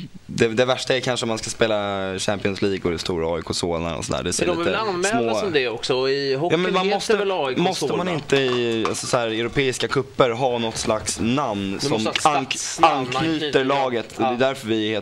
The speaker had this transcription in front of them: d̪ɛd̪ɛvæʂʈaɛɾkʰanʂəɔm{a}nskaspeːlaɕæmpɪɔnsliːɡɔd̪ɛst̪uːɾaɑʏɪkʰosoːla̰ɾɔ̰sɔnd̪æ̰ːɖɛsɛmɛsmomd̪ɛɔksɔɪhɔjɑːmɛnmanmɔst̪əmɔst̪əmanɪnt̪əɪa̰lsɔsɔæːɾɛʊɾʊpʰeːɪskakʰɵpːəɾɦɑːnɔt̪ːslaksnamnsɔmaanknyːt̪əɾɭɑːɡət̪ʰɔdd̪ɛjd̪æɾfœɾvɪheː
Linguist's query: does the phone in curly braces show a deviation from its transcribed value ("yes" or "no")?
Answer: no